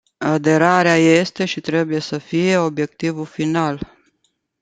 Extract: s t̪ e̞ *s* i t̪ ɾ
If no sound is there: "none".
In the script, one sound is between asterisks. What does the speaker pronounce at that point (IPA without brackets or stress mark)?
ʃ